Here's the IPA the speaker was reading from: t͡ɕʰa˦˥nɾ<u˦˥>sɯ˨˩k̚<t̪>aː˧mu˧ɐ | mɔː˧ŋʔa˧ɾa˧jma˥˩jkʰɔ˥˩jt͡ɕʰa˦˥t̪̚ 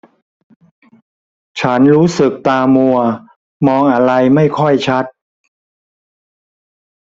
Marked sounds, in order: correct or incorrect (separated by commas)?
incorrect, correct